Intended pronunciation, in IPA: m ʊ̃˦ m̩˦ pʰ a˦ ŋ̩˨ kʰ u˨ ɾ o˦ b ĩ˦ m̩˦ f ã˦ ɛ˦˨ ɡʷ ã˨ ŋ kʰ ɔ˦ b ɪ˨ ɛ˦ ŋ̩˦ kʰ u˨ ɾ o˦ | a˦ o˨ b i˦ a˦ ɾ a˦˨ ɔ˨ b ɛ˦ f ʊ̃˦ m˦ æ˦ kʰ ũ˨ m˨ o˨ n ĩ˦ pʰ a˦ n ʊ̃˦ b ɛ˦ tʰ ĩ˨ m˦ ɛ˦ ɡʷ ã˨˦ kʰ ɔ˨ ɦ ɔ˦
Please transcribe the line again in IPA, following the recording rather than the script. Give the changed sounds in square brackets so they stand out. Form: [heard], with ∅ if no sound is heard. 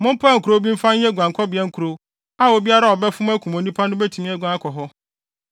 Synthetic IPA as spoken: m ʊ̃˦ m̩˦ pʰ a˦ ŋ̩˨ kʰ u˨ ɾ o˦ b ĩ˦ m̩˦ f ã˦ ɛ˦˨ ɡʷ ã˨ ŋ kʰ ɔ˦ b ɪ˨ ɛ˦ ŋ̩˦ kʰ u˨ ɾ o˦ | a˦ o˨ b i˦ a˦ ɾ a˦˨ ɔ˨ b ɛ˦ f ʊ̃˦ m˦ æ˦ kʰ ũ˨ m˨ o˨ n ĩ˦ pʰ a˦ n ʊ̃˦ b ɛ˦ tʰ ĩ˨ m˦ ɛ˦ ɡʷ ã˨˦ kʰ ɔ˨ ɦ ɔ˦